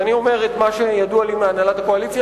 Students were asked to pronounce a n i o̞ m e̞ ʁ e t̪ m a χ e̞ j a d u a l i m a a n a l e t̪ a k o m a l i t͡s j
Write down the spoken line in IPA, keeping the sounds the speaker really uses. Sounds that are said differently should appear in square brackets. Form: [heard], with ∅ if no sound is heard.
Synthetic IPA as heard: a n i o̞ m e̞ ʁ e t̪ m a [ʃ] e̞ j a d u a l i m [e] a n a l [a] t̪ a k o [∅] a l i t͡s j